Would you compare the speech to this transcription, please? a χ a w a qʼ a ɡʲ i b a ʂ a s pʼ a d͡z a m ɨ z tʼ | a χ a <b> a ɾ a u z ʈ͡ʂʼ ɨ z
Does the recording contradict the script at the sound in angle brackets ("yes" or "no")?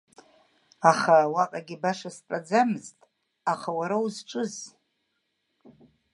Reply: yes